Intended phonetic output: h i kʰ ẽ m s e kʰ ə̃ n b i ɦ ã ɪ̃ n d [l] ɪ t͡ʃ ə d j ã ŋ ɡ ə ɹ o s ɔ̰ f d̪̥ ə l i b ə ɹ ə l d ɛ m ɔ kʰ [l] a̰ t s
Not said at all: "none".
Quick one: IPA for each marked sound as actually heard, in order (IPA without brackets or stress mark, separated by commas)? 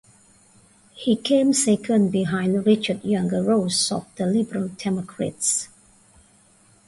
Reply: ɹ, ɹ